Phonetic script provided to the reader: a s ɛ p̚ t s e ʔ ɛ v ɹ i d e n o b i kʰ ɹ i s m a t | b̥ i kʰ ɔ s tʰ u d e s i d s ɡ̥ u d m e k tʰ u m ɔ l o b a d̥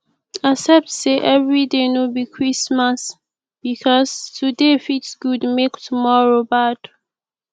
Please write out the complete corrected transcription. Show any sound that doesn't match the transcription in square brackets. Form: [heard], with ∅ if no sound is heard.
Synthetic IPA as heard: a s ɛ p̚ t s e ʔ ɛ v ɹ i d e n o b i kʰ ɹ i s m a [s] | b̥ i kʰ ɔ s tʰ u d e [f] i [t] s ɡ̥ u d m e k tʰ u m ɔ [ɹ] o b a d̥